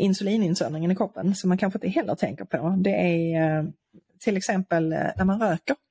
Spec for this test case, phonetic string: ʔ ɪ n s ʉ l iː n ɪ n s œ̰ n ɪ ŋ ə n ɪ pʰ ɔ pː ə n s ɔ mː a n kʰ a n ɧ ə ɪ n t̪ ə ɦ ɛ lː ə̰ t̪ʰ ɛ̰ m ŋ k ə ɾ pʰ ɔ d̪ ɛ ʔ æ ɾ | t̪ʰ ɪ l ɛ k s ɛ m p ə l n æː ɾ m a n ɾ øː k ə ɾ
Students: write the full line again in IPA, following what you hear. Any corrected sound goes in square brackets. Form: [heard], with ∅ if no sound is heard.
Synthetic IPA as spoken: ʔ ɪ n s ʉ l iː n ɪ n s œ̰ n ɪ ŋ ə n ɪ [kʰ] ɔ pː ə n s ɔ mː a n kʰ a n ɧ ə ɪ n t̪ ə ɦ ɛ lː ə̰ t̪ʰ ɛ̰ [∅] ŋ k ə ɾ pʰ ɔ d̪ ɛ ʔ æ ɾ | t̪ʰ ɪ l ɛ k s ɛ m p ə l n [æ] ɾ m a n ɾ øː k ə ɾ